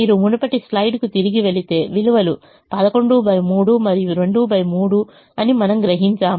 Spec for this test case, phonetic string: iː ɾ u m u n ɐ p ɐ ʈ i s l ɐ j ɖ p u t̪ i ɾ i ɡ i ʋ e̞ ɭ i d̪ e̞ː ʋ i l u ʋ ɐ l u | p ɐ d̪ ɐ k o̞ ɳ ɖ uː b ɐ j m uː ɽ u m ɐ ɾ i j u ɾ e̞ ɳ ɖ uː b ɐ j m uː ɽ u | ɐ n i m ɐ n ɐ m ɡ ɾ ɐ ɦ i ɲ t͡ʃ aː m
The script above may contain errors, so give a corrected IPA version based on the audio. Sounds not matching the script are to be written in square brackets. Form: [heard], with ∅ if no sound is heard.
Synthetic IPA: iː ɾ u m u n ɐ p ɐ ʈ i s l ɐ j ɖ [k] u t̪ i ɾ i ɡ i ʋ e̞ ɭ i [t̪] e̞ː ʋ i l u ʋ ɐ l u | p ɐ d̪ ɐ k o̞ ɳ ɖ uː b ɐ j m uː ɽ u m ɐ ɾ i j u ɾ e̞ ɳ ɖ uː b ɐ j m uː ɽ u | ɐ n i m ɐ n ɐ m ɡ ɾ ɐ ɦ i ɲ t͡ʃ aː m